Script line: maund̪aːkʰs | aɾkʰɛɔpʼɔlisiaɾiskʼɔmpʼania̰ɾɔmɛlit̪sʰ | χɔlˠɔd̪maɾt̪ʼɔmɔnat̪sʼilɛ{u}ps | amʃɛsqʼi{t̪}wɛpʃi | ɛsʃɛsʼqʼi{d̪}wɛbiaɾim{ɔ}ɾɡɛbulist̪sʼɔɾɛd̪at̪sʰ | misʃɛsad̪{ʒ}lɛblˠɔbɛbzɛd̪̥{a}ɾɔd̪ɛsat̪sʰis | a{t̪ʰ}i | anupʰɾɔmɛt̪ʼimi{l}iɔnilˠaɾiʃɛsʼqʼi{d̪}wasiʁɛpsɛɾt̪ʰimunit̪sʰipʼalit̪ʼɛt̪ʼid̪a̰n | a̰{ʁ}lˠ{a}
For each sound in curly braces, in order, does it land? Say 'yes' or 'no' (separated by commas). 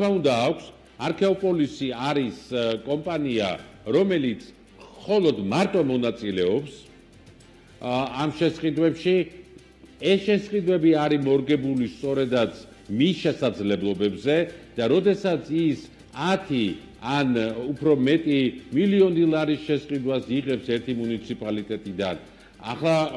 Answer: no, no, yes, yes, no, yes, yes, yes, yes, no, yes